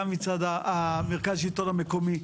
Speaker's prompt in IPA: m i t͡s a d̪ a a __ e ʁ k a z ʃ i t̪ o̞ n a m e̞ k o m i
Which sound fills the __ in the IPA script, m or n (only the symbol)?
m